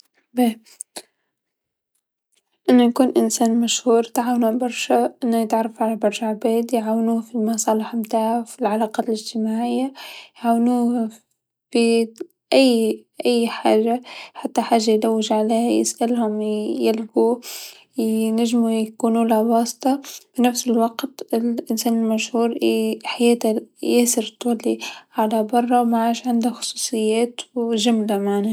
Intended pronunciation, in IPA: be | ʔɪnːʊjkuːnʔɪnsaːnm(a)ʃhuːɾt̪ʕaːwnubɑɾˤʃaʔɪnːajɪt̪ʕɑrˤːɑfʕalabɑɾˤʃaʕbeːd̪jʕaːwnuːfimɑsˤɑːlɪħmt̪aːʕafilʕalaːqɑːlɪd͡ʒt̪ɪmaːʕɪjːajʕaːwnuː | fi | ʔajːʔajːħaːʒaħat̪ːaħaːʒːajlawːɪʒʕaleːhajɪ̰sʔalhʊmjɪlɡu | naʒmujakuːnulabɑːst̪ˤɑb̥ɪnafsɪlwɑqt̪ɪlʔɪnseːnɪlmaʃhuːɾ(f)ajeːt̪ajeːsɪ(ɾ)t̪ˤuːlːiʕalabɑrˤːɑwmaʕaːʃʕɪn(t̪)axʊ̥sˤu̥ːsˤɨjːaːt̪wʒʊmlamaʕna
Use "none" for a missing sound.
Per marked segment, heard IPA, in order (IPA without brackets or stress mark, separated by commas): a, ħ, ɾ, d̪